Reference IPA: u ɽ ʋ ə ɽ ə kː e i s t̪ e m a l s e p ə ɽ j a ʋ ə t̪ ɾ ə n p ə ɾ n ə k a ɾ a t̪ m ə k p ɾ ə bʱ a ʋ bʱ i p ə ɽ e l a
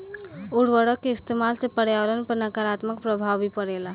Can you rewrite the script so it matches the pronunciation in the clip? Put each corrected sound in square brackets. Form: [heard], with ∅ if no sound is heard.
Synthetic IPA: u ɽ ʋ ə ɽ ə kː e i s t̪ e m a l s e p ə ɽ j a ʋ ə [∅] ɾ ə n p ə ɾ n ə k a ɾ a t̪ m ə k p ɾ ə bʱ a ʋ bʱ i p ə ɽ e l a